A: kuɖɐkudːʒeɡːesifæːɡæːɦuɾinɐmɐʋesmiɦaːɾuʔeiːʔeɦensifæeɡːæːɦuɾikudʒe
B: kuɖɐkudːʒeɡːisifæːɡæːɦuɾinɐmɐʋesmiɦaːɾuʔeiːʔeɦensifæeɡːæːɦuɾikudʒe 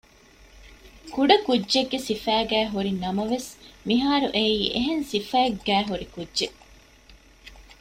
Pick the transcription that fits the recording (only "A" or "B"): A